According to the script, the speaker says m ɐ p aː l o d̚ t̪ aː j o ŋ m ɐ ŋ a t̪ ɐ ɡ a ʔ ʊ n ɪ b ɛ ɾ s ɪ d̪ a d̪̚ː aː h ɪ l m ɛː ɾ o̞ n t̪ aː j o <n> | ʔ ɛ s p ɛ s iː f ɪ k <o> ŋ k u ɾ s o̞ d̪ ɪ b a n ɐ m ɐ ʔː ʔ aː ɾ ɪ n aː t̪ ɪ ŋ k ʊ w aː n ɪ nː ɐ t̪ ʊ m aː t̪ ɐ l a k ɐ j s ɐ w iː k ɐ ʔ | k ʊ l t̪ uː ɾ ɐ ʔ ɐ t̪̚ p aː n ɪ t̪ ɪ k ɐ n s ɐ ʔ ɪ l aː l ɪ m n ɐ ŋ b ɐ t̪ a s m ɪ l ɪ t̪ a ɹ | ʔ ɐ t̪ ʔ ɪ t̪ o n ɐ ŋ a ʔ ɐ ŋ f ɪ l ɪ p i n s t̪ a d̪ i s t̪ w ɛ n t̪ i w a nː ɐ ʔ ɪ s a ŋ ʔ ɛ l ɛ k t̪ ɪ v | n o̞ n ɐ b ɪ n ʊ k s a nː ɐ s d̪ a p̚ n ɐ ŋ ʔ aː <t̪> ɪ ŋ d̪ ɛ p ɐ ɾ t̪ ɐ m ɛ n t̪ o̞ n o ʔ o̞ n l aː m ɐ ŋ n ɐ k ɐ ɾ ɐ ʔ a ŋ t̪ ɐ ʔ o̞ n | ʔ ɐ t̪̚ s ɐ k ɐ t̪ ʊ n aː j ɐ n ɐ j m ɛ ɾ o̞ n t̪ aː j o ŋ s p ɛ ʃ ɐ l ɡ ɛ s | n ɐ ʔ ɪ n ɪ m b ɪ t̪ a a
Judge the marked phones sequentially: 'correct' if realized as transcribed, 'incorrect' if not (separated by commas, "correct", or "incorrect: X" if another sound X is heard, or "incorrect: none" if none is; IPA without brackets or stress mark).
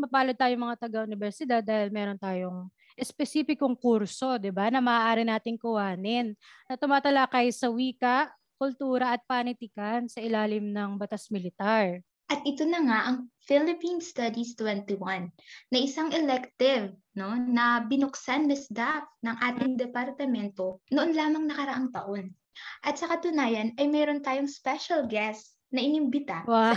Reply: incorrect: ŋ, correct, correct